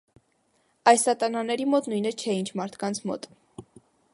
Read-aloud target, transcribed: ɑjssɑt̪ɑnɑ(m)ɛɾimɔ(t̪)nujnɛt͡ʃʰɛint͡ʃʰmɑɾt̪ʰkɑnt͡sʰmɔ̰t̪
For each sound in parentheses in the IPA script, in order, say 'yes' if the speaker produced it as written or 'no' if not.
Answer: no, yes

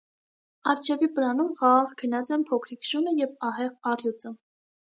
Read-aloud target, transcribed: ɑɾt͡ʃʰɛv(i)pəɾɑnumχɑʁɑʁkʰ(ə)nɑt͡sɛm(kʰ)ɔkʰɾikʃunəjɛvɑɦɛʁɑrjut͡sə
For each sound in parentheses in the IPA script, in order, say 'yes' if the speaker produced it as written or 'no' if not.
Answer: yes, yes, no

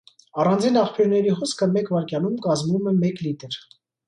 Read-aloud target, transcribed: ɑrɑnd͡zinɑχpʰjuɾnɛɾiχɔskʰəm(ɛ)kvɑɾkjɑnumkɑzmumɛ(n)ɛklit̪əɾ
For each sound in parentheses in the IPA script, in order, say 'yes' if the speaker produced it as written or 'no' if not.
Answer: yes, no

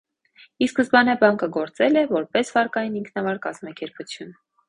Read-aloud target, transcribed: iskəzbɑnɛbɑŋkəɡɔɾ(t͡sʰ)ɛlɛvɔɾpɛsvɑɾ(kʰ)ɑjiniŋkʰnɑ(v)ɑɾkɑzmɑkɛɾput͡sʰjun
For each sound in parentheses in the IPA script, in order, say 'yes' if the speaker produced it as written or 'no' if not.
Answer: no, no, yes

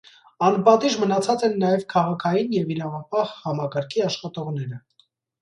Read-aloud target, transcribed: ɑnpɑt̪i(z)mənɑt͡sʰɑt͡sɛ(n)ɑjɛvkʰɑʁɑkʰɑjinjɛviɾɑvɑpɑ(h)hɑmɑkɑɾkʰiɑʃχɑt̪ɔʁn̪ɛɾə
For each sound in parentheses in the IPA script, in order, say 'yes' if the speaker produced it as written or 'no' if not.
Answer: no, no, yes

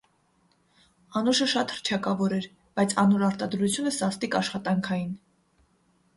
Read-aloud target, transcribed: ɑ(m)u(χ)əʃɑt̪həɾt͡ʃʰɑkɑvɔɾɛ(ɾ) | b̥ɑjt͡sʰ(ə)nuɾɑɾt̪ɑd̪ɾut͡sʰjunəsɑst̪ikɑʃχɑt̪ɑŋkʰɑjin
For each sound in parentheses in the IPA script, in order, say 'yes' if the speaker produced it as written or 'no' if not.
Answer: no, no, yes, no

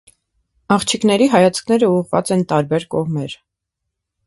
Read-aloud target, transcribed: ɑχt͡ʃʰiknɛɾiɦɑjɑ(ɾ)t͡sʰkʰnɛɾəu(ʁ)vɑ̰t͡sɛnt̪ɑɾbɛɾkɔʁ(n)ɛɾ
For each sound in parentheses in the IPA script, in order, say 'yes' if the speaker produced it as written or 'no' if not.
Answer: no, yes, no

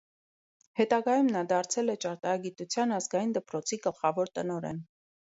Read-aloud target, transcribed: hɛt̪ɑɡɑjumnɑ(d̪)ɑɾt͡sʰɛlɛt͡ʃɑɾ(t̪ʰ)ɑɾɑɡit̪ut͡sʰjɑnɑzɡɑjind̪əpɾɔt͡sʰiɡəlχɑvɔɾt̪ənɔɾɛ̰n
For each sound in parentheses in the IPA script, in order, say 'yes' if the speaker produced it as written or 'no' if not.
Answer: yes, no

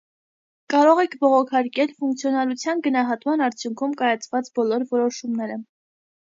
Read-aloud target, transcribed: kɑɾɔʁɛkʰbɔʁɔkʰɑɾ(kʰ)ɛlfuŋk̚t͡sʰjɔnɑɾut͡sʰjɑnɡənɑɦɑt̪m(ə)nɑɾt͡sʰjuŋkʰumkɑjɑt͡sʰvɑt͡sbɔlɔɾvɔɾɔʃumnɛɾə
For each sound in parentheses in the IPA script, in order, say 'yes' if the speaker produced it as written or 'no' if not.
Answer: no, no

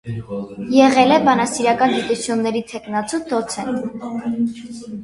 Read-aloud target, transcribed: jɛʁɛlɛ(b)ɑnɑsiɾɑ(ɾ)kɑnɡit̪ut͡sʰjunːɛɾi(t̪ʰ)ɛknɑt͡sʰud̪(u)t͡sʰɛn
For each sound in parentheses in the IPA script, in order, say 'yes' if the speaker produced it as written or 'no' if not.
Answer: yes, no, yes, no

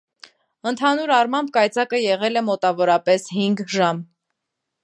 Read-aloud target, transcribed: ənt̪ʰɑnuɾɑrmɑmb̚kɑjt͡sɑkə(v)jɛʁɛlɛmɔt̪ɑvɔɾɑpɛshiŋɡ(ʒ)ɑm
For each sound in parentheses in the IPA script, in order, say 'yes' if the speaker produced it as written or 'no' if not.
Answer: no, yes

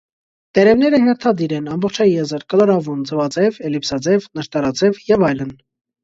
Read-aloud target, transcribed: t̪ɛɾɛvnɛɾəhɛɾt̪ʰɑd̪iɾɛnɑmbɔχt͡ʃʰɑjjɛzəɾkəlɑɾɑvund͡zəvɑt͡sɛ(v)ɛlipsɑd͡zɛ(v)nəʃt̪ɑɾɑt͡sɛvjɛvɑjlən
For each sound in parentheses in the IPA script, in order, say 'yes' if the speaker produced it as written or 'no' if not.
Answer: yes, yes

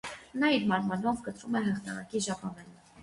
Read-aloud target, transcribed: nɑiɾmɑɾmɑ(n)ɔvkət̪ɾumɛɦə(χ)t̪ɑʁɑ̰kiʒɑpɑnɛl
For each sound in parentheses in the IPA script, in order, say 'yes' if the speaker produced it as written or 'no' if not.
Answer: yes, yes

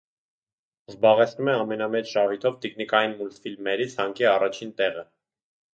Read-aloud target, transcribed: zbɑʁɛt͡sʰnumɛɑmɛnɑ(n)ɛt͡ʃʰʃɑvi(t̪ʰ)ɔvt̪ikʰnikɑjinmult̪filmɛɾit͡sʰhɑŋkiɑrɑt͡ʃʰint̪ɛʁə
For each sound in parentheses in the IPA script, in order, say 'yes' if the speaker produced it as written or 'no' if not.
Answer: no, yes

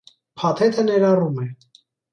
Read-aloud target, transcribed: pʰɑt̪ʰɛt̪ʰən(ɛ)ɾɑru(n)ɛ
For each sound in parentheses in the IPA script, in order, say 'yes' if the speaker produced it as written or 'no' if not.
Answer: yes, no

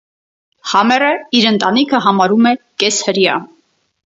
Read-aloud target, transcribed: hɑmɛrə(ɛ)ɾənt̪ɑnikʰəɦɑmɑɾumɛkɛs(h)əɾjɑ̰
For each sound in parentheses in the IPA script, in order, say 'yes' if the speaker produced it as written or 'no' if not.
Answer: no, yes

